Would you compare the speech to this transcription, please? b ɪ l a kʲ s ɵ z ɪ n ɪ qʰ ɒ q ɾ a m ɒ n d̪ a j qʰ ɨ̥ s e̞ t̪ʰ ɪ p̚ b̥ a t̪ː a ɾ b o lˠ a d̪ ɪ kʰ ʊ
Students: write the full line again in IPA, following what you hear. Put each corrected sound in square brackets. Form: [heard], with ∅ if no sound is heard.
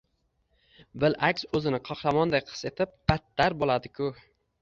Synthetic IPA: b ɪ l a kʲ s ɵ z ɪ n ɪ qʰ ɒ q ɾ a m ɒ n d̪ a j qʰ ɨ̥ s e̞ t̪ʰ ɪ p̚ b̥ a t̪ː a ɾ b o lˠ a d̪ ɪ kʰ ʊ